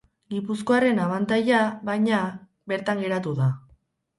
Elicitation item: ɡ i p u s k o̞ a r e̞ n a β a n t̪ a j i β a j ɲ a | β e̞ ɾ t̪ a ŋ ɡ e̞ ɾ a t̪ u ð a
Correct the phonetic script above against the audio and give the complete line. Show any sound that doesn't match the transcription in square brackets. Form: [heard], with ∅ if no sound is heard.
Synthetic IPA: ɡ i p u s k o̞ a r e̞ n a β a n t̪ a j [a] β a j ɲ a | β e̞ ɾ t̪ a ŋ ɡ e̞ ɾ a t̪ u ð a